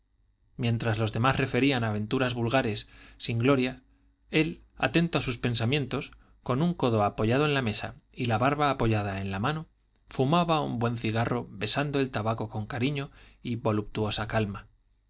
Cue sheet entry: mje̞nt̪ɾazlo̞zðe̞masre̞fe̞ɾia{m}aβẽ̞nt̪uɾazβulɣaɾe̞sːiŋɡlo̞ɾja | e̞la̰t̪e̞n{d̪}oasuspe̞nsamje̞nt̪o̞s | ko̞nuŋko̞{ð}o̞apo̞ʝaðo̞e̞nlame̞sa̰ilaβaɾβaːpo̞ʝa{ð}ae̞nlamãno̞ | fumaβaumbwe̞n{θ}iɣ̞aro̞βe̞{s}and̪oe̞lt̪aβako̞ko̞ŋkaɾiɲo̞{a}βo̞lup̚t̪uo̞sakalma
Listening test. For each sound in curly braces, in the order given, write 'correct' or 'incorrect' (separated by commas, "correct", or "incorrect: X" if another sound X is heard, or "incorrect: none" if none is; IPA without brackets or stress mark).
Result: incorrect: n, incorrect: t̪, correct, correct, correct, correct, incorrect: i